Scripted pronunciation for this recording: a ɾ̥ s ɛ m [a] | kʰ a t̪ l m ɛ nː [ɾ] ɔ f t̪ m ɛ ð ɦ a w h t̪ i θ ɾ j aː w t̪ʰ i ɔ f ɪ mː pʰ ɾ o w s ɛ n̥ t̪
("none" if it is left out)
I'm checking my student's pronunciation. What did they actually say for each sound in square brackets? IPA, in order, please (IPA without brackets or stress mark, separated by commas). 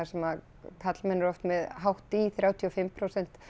a, ɾ